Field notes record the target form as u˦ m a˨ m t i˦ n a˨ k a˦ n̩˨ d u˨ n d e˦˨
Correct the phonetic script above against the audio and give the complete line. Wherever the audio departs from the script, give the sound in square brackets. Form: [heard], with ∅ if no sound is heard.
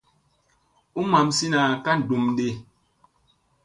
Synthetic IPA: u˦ m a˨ m [s] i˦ n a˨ k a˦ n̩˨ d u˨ [m] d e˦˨